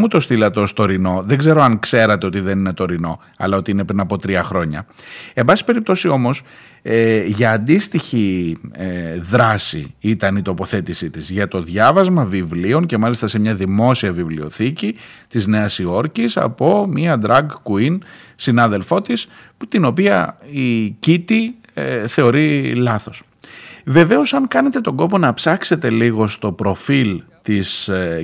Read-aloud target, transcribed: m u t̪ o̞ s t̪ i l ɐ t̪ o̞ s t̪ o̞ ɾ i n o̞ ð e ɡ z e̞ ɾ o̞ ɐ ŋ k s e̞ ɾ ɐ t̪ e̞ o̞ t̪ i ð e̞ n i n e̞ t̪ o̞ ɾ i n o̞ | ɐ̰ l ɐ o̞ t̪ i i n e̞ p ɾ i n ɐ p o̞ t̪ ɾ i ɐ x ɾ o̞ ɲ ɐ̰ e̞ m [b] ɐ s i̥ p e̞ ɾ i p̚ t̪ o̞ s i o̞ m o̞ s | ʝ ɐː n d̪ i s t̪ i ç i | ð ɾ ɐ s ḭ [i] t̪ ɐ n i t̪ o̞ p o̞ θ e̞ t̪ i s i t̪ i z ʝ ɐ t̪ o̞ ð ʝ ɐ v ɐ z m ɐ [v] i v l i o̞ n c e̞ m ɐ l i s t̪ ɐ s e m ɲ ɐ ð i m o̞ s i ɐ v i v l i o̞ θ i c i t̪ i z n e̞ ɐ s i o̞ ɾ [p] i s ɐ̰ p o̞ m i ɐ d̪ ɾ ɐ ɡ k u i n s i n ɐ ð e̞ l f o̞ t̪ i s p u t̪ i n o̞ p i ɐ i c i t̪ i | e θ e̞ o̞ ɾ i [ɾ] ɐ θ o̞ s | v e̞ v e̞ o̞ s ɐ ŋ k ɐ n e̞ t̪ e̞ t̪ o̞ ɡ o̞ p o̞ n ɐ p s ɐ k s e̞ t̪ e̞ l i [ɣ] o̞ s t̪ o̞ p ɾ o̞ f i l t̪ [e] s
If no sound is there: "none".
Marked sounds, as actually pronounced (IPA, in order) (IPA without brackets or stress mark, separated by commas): b, i, v, c, l, ɣ, i